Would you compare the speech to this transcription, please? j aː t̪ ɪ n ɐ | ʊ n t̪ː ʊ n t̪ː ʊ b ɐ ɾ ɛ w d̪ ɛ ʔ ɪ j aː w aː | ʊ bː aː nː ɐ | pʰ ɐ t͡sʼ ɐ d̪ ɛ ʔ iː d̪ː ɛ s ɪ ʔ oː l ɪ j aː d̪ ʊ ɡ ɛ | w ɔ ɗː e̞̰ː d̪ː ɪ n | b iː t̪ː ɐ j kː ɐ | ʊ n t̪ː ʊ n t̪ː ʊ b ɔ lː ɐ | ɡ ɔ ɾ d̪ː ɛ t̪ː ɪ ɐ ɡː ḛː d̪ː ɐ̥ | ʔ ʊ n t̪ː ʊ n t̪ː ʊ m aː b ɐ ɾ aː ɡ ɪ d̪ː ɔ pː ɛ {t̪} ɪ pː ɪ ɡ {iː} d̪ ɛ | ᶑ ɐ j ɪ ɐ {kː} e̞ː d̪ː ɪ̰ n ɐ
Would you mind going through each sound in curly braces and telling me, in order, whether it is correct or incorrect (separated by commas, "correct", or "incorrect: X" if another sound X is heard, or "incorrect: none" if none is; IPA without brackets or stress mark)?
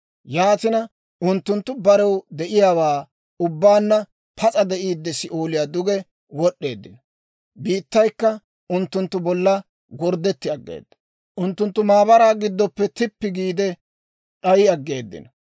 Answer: correct, correct, incorrect: ɡː